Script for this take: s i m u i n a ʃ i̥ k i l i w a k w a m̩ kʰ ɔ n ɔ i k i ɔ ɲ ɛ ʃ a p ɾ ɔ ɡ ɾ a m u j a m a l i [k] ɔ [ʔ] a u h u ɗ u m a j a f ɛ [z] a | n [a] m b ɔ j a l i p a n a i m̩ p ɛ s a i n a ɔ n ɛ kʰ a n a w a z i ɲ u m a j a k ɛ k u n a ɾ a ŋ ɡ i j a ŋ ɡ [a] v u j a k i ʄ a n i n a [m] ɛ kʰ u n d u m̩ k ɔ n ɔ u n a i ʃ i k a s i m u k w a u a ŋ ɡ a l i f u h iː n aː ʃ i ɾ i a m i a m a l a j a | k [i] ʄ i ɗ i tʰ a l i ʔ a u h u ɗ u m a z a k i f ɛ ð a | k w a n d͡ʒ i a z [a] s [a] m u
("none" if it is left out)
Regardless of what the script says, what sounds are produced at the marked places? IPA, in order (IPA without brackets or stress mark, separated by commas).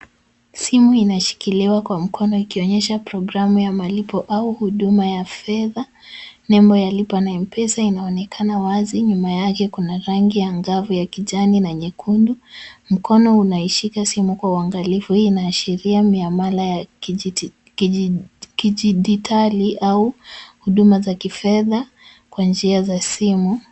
p, ʔ, ð, ɛ, a, ɲ, i, a, i